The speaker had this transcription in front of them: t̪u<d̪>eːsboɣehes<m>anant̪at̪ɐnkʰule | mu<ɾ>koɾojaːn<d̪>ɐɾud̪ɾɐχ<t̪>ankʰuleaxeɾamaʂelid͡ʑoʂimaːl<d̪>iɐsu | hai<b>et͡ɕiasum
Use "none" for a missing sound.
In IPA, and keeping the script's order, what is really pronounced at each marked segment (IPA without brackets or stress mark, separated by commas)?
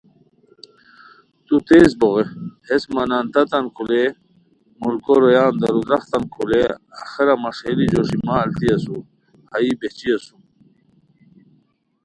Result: t̪, m, l, d̪, t̪, t̪, b